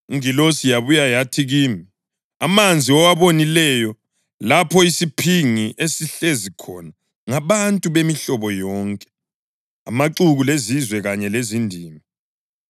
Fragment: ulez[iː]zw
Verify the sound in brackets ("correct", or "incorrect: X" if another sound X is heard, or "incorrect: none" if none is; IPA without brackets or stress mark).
incorrect: i